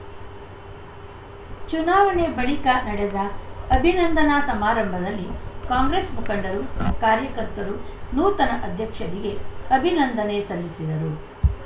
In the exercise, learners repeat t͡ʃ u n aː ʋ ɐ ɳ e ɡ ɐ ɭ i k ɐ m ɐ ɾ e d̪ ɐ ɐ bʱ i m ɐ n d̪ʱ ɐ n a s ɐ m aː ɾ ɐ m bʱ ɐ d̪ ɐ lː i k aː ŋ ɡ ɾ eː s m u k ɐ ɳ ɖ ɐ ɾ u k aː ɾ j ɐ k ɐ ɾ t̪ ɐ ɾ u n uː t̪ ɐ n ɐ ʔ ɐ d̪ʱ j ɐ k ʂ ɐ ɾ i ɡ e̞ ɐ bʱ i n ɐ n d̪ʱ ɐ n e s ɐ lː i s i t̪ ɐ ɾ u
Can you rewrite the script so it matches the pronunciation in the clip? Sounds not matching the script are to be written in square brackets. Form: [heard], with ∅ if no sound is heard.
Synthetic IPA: t͡ʃ u n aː ʋ ɐ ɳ e [b] ɐ ɭ i k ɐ [n] ɐ [ɽ] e d̪ ɐ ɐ bʱ i [n] ɐ n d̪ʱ ɐ n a s ɐ m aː ɾ ɐ m bʱ ɐ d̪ ɐ lː i k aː ŋ ɡ ɾ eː s m u k ɐ ɳ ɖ ɐ ɾ u k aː ɾ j ɐ k ɐ ɾ t̪ ɐ ɾ u n uː t̪ ɐ n ɐ ʔ ɐ d̪ʱ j ɐ k ʂ ɐ ɾ i ɡ e̞ ɐ bʱ i n ɐ n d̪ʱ ɐ n e s ɐ lː i s i [d̪] ɐ ɾ u